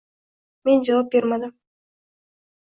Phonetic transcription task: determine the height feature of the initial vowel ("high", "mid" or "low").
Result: mid